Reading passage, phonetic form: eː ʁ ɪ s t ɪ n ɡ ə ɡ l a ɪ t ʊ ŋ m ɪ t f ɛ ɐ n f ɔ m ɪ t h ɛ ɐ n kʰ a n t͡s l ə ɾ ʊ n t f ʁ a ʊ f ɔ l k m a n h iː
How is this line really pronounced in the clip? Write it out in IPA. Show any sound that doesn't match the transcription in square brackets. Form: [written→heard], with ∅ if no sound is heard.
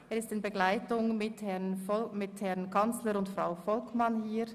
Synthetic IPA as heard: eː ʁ ɪ s t ɪ n [ɡ→b] ə ɡ l a ɪ t ʊ ŋ m ɪ t [f→h] ɛ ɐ n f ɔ m ɪ t h ɛ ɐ n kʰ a n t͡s l ə ɾ ʊ n t f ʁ a ʊ f ɔ l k m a n h iː

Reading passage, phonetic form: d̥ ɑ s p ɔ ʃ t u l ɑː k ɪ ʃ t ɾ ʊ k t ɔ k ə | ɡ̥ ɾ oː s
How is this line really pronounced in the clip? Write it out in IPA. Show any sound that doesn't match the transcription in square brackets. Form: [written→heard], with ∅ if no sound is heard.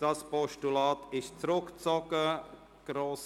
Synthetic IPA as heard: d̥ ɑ s p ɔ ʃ t u l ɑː [k→t] ɪ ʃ [t→t͡s] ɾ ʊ k [t→t͡s] ɔ k ə | ɡ̥ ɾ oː s

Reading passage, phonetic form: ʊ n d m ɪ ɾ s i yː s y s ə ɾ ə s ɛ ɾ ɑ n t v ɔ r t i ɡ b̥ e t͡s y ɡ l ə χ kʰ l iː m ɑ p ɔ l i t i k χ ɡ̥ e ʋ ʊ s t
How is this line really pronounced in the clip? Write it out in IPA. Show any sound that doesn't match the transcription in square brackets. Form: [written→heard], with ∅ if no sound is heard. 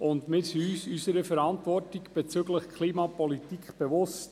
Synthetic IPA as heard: ʊ n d m ɪ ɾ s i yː s y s ə ɾ ə [s→f] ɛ ɾ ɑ n t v ɔ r t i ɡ b̥ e t͡s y ɡ l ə χ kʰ l iː m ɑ p ɔ l i t i k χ [ɡ̥→b̥] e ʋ ʊ s t

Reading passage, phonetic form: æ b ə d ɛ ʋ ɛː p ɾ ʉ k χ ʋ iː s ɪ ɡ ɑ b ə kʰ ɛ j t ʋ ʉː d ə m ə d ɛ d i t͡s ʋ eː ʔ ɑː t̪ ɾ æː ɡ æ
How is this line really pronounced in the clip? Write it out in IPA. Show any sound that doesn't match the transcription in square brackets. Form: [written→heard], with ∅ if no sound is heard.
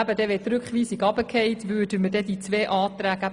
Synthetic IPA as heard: æ b ə d ɛ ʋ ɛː [p→t] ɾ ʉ k χ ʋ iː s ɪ ɡ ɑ b ə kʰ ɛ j t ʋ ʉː d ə m ə d ɛ d i t͡s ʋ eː ʔ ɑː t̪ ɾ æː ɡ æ

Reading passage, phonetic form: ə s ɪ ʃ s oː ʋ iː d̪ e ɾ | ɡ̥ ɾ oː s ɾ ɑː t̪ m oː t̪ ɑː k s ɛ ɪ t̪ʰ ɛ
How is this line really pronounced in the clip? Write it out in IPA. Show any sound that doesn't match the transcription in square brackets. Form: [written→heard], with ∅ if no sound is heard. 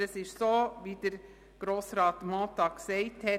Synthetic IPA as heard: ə s ɪ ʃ s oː ʋ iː d̪ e ɾ | ɡ̥ ɾ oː s ɾ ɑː t̪ m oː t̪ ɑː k s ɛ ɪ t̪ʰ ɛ

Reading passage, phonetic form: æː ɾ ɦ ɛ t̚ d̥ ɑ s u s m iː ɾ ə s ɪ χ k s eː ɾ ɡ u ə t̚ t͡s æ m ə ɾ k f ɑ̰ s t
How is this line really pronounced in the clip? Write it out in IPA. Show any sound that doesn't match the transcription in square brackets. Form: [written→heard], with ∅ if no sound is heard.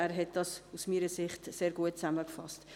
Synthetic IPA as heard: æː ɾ ɦ ɛ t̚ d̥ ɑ s u s m iː ɾ ə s ɪ χ [k→t] s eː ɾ ɡ u ə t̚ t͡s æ m ə [ɾ→∅] k f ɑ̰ s t

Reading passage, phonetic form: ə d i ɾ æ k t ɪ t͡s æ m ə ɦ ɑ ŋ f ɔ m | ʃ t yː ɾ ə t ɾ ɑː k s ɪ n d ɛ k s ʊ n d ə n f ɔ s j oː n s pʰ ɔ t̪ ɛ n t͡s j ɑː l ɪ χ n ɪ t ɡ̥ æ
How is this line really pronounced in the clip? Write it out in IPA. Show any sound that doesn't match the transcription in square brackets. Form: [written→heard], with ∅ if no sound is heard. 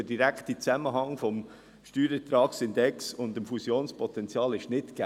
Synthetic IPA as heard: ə d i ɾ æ k t [ɪ→i] t͡s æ m ə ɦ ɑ ŋ f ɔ m | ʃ t yː ɾ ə t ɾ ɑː k s ɪ n d ɛ k s ʊ n d ə [n→m] f [ɔ→u] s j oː n s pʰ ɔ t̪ ɛ n t͡s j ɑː l ɪ [χ→ʃ] n ɪ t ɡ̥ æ

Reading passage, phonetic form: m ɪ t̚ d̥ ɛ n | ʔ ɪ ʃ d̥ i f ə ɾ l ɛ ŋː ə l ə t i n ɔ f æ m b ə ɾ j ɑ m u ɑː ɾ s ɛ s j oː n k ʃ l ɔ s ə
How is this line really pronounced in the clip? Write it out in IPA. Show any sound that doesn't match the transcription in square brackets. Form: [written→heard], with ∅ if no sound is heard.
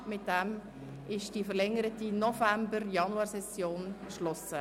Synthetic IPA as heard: m ɪ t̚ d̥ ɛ [n→m] | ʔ ɪ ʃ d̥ i f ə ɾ l ɛ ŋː ə [l→ɾ] ə t i n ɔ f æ m b ə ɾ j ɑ [m→n] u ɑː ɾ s ɛ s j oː n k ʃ l ɔ s ə

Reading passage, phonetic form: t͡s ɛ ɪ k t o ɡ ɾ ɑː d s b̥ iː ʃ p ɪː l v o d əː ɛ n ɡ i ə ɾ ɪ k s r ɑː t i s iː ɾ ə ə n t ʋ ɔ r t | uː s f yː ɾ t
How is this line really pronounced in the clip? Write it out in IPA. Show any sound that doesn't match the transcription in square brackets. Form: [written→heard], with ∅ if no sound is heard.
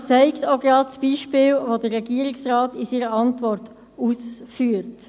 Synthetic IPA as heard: t͡s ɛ ɪ k t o ɡ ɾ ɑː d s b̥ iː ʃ p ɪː l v o d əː ɛ [n→∅] ɡ i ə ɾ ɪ k s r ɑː t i s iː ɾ ə [ə→ɑ] n t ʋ ɔ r t | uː s f yː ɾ t

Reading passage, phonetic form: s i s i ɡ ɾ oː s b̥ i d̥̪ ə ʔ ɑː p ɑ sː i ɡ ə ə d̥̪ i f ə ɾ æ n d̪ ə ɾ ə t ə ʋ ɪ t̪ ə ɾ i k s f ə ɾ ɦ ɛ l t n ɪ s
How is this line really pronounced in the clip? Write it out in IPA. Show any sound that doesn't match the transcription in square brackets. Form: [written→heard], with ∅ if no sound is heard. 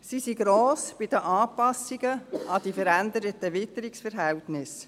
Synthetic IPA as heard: s i s i ɡ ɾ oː s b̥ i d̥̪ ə ʔ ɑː p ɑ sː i ɡ ə [ə→ɑ] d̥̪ i f ə ɾ æ n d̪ ə ɾ ə t ə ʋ ɪ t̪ ə ɾ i k s f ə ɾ ɦ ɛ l t n ɪ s

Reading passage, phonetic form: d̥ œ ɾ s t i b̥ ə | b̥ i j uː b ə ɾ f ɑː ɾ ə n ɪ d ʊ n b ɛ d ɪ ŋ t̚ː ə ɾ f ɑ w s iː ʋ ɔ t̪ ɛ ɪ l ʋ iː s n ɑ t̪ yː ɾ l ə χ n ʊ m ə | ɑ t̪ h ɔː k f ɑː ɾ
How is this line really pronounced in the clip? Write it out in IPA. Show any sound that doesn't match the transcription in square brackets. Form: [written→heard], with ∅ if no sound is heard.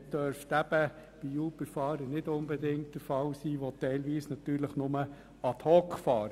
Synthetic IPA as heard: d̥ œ ɾ [s→f] t [i→æ] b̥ ə | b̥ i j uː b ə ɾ f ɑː ɾ ə n ɪ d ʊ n b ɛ d ɪ ŋ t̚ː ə ɾ f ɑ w s iː ʋ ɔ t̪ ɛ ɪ l ʋ iː s n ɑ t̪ yː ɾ l ə χ n ʊ m ə | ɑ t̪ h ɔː k f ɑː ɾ

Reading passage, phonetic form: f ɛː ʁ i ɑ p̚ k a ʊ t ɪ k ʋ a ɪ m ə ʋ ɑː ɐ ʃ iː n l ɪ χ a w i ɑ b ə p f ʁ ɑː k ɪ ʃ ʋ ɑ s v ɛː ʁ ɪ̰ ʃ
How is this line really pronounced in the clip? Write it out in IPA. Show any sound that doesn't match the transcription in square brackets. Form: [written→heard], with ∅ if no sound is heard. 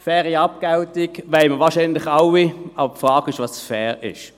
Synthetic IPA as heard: f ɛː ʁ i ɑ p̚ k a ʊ t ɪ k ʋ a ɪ m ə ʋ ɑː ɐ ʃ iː n l ɪ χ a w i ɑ b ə p f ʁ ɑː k ɪ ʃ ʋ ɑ s [v→f] ɛː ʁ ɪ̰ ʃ

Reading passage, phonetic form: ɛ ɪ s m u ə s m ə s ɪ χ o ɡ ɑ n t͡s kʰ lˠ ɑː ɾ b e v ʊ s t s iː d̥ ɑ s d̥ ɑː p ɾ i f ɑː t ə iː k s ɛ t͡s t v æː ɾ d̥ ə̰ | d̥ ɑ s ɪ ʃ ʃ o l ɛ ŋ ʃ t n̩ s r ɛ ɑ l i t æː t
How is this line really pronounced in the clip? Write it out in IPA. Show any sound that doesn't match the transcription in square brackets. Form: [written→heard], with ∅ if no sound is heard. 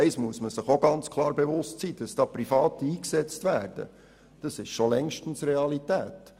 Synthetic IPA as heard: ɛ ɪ s m u ə s m ə s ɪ χ o ɡ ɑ n t͡s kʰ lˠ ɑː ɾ b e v ʊ s t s iː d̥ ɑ s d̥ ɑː p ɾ i f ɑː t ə iː k s ɛ t͡s t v æː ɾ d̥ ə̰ | d̥ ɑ s ɪ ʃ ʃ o l ɛ ŋ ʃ t n̩ s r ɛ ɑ l i t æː t

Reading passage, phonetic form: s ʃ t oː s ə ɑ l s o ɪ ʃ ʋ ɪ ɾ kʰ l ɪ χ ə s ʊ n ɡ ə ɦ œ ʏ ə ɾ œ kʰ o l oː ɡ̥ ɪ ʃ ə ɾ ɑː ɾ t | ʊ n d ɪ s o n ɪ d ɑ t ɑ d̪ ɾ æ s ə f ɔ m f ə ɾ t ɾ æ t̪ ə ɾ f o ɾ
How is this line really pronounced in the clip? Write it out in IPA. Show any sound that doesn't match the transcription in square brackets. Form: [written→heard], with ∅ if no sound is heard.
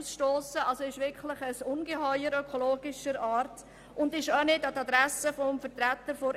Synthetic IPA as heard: s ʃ t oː s ə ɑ l s o ɪ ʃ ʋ ɪ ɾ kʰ l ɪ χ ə s ʊ n ɡ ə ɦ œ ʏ ə ɾ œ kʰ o l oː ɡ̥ ɪ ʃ ə ɾ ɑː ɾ t | ʊ n d ɪ [s→ʃ] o n ɪ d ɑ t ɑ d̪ ɾ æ s ə f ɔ m f ə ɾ t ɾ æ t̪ ə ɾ f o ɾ

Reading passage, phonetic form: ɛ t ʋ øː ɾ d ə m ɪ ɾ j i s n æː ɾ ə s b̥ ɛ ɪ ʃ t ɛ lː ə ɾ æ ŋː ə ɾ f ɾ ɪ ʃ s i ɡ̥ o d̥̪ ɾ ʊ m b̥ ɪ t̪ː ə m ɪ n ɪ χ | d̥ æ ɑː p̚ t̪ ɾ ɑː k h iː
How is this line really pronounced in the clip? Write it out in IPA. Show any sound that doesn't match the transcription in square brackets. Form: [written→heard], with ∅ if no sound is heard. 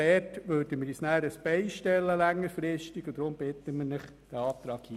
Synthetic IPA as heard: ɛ t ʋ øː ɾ d ə m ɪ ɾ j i s n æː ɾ ə s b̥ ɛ ɪ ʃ t ɛ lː ə [ɾ→l] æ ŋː ə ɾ f ɾ ɪ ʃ [s→t] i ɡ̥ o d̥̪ ɾ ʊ m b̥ ɪ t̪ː ə m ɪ n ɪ χ | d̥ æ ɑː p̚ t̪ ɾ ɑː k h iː

